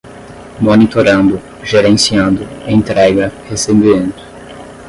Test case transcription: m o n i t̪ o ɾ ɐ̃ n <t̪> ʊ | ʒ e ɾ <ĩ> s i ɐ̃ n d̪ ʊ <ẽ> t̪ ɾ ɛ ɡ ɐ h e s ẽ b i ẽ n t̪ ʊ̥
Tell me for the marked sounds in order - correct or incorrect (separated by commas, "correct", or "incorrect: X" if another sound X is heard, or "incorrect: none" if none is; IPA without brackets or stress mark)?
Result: incorrect: d̪, incorrect: ẽ, correct